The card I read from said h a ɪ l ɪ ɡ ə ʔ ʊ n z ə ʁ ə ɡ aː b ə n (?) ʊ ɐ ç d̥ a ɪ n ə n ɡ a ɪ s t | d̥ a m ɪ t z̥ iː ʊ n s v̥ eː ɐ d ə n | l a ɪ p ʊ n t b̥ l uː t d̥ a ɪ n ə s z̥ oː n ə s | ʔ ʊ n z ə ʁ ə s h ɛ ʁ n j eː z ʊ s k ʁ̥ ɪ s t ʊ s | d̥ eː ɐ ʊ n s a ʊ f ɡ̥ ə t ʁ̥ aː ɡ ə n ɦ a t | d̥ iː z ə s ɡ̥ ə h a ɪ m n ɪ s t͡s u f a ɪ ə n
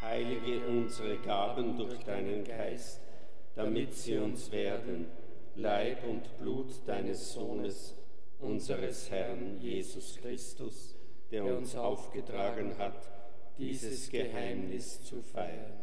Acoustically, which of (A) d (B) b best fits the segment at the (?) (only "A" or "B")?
A